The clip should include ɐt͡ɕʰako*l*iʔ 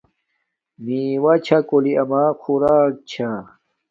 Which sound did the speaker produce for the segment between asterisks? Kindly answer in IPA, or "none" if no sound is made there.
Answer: l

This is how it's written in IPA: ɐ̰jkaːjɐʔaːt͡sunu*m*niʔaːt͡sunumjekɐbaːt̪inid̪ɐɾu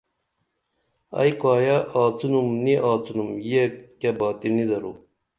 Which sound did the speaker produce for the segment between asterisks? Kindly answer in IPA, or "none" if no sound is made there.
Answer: m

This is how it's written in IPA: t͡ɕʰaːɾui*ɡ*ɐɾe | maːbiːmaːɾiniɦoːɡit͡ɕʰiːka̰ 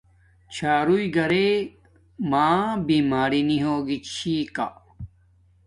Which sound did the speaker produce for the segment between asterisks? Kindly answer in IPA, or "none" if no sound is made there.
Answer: ɡ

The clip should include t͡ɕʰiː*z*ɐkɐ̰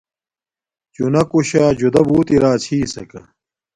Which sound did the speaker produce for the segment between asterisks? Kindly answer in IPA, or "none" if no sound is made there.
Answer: s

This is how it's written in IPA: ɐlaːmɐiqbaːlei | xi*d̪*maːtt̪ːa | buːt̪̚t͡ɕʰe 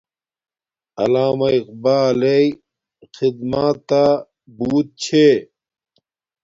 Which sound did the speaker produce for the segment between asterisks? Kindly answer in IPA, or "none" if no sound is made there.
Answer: d̪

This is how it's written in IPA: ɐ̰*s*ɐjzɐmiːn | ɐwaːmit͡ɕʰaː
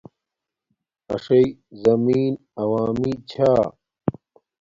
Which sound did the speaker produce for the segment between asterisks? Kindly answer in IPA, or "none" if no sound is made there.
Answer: ʂ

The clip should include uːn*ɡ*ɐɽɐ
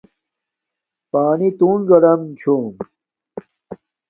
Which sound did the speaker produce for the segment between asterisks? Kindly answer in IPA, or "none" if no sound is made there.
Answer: ɡ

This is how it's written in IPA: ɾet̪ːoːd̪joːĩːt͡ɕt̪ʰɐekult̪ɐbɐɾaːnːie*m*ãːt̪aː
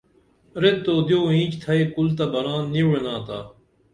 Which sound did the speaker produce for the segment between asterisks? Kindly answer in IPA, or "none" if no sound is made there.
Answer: n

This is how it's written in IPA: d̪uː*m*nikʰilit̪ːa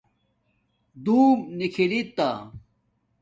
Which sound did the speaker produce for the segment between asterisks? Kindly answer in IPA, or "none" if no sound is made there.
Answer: m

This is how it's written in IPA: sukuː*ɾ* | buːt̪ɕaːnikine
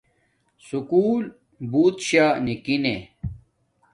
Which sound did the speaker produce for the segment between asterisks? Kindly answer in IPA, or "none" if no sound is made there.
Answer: l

